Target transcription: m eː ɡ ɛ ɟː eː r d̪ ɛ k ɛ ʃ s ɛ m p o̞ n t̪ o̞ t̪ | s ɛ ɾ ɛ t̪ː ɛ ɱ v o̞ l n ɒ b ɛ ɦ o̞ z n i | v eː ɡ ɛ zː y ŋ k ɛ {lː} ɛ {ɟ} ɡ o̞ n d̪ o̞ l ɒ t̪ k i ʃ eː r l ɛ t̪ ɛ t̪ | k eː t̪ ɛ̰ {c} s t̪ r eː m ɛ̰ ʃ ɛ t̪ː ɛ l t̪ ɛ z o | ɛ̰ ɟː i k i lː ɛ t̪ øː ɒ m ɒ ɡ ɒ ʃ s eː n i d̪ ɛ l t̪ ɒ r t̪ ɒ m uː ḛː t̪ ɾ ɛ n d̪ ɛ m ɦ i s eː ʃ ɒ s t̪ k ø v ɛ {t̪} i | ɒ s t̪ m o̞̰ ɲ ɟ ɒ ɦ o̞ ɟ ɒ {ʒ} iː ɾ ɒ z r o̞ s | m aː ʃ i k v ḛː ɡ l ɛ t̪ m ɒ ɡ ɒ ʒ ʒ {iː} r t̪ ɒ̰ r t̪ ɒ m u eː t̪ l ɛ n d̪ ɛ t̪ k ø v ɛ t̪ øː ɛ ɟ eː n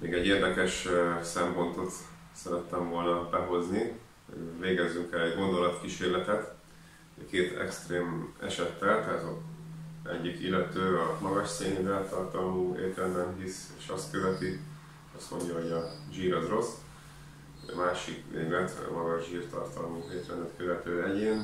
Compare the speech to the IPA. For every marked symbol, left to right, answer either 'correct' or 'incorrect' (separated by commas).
incorrect, correct, incorrect, correct, correct, correct